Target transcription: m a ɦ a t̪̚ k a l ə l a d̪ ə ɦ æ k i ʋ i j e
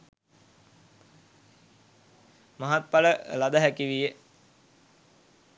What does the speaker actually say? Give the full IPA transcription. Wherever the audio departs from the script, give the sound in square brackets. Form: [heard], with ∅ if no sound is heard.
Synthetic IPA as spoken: m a ɦ a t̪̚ [p] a l ə l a d̪ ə ɦ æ k i ʋ i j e